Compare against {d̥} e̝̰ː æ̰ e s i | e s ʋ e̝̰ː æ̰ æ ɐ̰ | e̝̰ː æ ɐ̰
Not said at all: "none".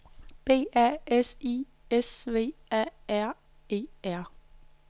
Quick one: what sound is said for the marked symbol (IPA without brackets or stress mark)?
b̥